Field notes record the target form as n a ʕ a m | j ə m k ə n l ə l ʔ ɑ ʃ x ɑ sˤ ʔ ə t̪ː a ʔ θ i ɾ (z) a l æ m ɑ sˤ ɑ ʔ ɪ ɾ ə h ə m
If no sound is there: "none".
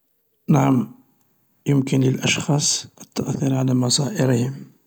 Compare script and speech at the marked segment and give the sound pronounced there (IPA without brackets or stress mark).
ʕ